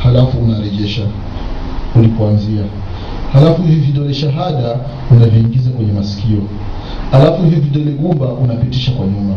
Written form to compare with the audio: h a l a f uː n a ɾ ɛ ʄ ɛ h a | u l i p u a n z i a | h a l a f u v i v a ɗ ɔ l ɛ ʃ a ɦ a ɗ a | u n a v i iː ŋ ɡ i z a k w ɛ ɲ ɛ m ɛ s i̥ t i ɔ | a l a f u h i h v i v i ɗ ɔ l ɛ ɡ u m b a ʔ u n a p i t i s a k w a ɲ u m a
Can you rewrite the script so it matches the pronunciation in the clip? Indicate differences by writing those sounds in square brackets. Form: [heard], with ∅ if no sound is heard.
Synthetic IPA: h a l a f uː n a ɾ ɛ ʄ ɛ [ʃ] a | u l i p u a n z i a | h a l a f u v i v [i] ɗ ɔ l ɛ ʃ a ɦ a ɗ a | u n a v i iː ŋ ɡ i z a k w ɛ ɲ ɛ m [a] s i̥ [k] i ɔ | a l a f u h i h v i v i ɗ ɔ l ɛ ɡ u m b a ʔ u n a p i t i [ʃ] a k w a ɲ u m a